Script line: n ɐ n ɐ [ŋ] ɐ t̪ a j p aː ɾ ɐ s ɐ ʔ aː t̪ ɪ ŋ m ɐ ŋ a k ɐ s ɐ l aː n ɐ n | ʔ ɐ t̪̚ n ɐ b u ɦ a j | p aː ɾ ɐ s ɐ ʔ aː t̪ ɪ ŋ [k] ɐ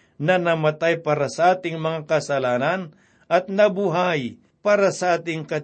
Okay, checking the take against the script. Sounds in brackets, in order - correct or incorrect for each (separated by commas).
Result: incorrect, correct